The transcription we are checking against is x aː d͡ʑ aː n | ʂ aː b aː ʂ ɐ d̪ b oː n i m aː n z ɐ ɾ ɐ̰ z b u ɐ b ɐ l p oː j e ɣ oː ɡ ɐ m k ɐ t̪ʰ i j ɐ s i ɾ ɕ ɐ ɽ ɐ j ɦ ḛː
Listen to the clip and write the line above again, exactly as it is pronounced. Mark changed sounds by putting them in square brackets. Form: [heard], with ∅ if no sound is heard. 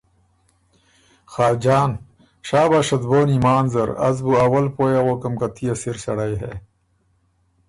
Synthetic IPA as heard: x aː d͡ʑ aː n | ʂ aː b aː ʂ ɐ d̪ b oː n i m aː n z ɐ ɾ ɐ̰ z b u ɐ [w] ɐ l p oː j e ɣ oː [k] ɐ m k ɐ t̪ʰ i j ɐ s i ɾ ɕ ɐ ɽ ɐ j ɦ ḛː